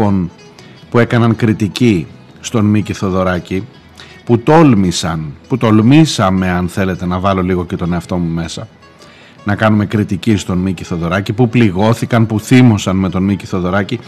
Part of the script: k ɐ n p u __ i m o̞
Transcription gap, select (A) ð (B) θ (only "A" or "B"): B